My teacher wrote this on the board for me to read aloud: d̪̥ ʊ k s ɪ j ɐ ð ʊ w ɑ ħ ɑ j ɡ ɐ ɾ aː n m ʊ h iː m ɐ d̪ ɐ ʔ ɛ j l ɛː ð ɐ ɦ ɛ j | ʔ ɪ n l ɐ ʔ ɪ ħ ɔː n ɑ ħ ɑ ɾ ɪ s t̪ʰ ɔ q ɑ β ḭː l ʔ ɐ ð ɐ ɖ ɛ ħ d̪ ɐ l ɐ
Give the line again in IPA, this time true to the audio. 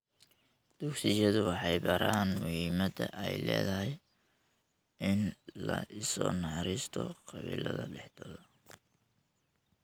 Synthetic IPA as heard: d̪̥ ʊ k s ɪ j ɐ ð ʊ w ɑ ħ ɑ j b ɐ ɾ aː n m ʊ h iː m ɐ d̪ ɐ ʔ ɛ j l ɛː ð ɐ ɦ ɛ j | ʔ ɪ n l ɐ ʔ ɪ s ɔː n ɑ ħ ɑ ɾ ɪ s t̪ʰ ɔ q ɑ β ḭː l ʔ ɐ ð ɐ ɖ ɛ ħ d̪ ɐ l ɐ